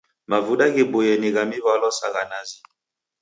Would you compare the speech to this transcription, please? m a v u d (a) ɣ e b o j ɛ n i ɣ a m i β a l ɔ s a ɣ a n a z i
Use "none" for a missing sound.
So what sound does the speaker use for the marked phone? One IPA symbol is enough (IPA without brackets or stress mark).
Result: a